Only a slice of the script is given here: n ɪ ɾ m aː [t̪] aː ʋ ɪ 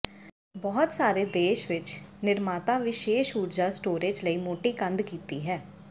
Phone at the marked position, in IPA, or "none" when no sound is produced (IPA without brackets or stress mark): t̪